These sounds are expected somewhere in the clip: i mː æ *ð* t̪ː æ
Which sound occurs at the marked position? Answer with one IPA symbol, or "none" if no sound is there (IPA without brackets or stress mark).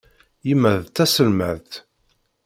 ð